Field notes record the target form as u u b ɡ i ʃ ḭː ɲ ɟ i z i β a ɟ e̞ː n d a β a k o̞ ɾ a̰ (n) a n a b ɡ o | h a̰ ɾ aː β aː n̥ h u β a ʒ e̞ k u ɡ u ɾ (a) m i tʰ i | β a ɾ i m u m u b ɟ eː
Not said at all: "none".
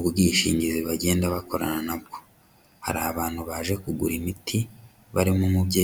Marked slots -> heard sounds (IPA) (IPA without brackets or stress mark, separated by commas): n, i